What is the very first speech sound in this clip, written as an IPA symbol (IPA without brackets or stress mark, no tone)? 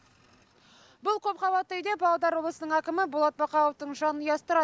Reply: b